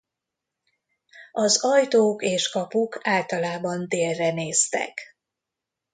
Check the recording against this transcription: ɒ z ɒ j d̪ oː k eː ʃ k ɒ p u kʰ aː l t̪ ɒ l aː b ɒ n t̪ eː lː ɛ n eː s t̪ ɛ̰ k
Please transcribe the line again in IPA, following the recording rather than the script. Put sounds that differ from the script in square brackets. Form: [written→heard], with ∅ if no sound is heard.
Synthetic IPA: ɒ z ɒ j [d̪→t̪] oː k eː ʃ k ɒ p u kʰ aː l t̪ ɒ l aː b ɒ n [t̪→d̪] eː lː ɛ n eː s t̪ ɛ̰ k